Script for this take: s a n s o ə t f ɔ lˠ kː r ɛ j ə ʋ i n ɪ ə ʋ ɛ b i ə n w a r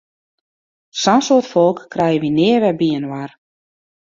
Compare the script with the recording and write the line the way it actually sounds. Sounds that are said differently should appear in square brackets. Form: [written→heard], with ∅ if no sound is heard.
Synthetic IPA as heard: s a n s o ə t f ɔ lˠ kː r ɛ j ə ʋ i n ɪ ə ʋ ɛ b i ə n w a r